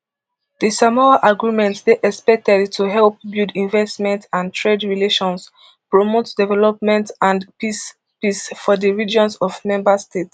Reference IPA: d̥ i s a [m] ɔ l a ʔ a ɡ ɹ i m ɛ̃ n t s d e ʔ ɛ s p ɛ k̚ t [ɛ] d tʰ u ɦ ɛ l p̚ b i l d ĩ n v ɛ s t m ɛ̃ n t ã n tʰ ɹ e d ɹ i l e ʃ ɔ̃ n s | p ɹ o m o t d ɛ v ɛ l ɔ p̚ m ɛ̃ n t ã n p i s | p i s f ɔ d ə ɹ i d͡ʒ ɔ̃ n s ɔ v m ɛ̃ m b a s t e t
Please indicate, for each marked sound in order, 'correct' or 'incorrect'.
correct, correct

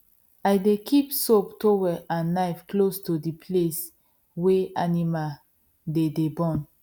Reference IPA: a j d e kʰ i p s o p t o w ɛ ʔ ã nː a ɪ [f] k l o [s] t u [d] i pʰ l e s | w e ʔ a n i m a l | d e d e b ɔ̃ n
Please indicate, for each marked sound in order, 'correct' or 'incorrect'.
correct, correct, correct

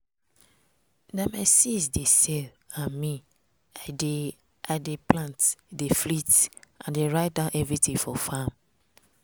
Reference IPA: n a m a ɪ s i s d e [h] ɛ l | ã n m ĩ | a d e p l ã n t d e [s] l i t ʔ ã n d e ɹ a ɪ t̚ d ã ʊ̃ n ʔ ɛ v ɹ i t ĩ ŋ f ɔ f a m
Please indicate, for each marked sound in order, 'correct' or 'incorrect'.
incorrect, incorrect

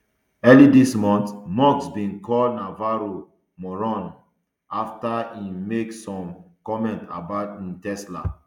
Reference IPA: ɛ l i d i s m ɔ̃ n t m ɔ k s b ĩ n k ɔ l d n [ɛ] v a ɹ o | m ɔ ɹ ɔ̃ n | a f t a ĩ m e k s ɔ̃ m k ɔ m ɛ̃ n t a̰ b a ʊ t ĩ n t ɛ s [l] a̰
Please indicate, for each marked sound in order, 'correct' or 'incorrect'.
incorrect, correct

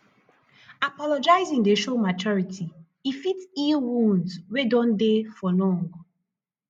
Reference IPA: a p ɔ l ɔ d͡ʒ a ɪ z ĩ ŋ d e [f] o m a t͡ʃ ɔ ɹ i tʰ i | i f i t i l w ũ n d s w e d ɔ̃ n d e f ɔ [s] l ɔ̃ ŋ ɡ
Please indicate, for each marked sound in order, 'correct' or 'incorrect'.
incorrect, incorrect

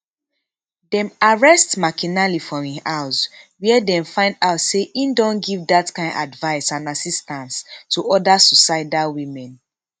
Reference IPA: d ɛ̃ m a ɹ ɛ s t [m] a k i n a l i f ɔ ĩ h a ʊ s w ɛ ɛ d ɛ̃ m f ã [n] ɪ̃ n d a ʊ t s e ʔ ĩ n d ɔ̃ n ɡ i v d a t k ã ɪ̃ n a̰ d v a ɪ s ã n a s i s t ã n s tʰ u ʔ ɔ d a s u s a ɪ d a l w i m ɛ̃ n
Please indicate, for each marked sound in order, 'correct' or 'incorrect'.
correct, incorrect

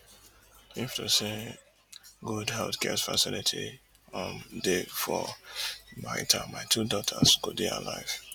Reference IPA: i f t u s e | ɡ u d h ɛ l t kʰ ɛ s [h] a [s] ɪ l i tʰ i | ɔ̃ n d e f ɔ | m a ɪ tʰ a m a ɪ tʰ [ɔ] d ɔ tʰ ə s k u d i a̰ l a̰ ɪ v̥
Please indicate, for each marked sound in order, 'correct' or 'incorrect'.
incorrect, correct, incorrect

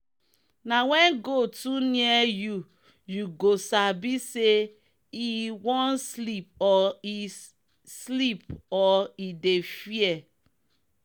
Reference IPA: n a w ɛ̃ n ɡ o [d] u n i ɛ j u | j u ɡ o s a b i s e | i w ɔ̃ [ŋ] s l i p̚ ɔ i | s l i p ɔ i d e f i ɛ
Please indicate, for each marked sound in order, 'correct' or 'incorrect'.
incorrect, incorrect

